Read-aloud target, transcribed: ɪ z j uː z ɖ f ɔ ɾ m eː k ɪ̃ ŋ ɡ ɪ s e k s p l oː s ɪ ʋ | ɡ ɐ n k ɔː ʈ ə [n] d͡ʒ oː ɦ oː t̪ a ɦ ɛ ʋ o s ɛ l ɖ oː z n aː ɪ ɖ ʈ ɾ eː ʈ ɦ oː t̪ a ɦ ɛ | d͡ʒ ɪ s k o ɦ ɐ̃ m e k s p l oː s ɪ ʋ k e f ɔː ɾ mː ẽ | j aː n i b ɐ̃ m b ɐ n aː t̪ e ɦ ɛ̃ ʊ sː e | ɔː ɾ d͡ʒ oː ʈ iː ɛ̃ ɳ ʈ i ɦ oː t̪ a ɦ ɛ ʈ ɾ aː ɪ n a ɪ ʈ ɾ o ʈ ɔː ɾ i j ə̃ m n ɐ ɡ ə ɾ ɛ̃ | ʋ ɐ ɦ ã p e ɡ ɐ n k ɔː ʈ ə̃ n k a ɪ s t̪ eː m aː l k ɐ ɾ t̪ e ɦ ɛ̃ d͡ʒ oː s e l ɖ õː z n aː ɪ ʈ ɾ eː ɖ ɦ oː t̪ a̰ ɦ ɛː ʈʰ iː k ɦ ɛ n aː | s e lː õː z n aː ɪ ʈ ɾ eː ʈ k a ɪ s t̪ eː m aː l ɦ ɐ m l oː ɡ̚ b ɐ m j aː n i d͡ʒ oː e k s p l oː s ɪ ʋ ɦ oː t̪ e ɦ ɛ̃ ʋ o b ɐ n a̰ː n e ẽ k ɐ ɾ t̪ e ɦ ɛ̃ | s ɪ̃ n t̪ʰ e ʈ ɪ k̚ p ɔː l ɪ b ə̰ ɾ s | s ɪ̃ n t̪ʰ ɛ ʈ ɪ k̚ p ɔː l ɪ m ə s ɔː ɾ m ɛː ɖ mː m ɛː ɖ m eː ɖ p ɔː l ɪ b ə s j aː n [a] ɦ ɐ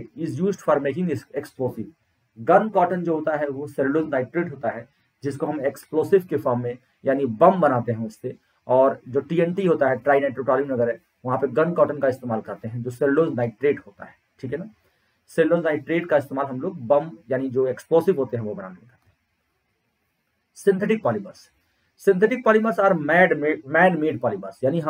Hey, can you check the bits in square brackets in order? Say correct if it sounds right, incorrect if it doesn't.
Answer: correct, incorrect: i

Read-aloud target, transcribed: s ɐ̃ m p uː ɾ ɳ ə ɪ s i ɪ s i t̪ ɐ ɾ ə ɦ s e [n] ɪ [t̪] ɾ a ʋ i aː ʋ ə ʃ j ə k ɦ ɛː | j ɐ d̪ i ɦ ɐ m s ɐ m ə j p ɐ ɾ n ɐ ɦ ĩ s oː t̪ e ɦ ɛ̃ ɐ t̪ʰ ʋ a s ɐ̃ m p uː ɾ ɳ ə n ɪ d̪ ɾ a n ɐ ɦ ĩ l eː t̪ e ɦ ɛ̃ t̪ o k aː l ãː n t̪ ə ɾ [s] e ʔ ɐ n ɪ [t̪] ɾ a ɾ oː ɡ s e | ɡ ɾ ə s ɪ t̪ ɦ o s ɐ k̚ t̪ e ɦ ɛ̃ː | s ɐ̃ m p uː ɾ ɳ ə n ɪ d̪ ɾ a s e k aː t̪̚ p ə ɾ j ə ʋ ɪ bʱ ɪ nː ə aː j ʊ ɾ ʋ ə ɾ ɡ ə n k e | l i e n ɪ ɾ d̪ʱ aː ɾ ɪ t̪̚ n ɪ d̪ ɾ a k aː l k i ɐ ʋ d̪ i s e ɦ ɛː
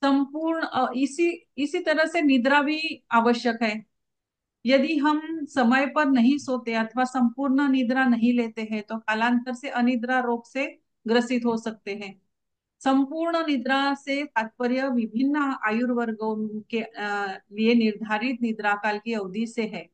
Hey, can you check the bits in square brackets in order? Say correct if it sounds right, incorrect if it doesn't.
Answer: correct, incorrect: d̪, correct, incorrect: d̪

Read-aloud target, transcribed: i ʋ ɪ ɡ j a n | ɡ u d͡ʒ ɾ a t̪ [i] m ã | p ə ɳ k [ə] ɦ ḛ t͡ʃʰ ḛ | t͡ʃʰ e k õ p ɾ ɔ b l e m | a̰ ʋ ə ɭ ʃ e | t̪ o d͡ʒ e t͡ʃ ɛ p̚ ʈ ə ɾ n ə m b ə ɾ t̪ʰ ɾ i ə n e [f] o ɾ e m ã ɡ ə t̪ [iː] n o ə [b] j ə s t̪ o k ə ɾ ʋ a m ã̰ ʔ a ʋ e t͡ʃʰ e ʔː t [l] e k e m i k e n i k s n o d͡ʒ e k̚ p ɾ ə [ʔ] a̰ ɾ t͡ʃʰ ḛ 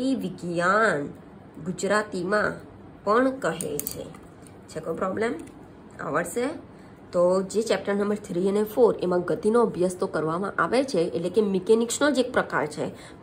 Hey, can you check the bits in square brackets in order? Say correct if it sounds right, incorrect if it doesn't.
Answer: correct, correct, correct, incorrect: i, correct, correct, incorrect: k

